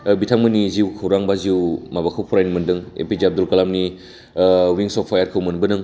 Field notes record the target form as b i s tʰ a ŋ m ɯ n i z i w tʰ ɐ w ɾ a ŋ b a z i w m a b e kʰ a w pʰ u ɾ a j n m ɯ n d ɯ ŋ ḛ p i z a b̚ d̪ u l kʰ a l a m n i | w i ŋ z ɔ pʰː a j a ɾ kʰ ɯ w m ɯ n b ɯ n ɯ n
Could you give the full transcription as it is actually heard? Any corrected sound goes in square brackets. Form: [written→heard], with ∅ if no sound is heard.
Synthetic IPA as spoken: b i [s→∅] tʰ a ŋ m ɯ n i z i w [tʰ→kʰ] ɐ w ɾ a ŋ b a z i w m a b [e→a] kʰ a w pʰ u ɾ a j n m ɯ n d ɯ ŋ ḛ p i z a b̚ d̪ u l [kʰ→k] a l a m n i | w i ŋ [z→s] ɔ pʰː a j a ɾ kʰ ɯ w m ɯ n b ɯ n ɯ [n→ŋ]